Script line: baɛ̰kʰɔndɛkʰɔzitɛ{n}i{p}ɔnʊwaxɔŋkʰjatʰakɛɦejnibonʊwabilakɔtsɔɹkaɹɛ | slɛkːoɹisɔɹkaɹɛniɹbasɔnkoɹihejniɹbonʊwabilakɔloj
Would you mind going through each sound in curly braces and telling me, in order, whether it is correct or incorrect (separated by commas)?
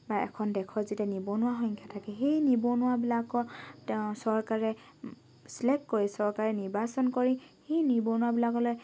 correct, incorrect